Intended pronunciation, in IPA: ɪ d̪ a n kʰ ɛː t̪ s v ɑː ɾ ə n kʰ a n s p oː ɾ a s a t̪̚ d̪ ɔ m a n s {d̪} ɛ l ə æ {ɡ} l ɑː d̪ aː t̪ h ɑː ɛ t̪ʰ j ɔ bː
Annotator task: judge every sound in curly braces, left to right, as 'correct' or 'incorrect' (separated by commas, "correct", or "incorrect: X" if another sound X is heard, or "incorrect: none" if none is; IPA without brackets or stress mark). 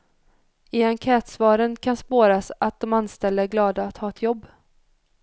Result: incorrect: t̪, correct